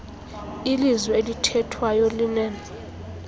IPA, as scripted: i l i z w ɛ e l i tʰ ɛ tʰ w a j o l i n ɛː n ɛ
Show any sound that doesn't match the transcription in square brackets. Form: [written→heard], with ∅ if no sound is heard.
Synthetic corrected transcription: i l i z w ɛ e l i tʰ ɛ tʰ w a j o l i n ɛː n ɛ